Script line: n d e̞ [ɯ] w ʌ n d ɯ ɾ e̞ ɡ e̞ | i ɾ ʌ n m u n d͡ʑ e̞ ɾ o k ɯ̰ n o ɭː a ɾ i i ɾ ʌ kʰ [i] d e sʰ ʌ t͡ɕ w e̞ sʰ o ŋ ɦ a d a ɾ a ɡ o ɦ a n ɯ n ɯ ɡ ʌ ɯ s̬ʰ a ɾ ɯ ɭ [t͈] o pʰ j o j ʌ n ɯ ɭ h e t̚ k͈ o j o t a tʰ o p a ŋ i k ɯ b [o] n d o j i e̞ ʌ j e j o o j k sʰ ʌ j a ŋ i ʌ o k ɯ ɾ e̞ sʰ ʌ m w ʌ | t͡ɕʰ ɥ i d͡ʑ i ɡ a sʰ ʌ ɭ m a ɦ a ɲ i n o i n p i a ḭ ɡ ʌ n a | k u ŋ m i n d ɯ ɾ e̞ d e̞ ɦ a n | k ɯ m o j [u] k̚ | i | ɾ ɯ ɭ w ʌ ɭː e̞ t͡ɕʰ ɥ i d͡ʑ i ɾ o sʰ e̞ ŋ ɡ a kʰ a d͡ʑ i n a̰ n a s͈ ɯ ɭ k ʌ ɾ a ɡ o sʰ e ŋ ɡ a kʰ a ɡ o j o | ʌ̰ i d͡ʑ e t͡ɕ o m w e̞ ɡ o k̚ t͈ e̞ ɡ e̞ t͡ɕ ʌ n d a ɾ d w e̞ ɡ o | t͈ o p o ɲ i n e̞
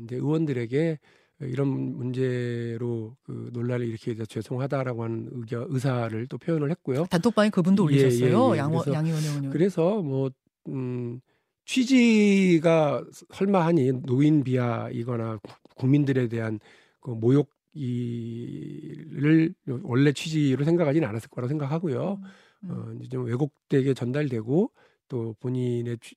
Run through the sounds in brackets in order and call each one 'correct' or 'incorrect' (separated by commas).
correct, incorrect, correct, incorrect, incorrect